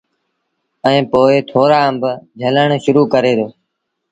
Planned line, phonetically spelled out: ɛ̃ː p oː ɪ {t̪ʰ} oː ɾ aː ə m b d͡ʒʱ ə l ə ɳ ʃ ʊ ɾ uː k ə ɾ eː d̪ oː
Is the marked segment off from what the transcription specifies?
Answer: no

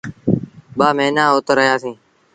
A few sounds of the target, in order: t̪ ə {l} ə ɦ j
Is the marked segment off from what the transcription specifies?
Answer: yes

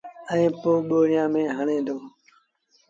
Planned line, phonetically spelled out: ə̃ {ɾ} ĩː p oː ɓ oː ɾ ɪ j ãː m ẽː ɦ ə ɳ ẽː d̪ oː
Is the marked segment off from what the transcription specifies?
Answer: yes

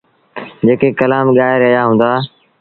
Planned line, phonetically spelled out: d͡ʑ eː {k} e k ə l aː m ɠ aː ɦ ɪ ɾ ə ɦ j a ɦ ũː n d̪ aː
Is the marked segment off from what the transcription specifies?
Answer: no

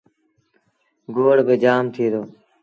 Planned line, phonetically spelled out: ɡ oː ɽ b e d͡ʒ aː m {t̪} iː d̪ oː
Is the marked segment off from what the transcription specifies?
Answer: yes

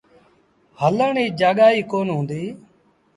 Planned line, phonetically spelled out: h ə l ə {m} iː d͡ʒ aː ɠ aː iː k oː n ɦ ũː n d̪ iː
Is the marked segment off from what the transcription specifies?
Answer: yes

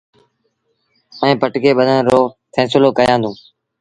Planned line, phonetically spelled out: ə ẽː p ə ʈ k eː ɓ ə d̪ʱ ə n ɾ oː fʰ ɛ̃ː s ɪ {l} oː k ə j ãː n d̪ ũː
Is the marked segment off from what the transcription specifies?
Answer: no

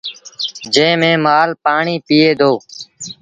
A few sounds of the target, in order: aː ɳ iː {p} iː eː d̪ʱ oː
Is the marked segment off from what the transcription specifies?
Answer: no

